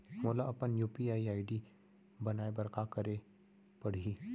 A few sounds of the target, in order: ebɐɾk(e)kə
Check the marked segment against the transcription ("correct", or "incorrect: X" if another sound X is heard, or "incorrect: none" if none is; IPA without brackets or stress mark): incorrect: a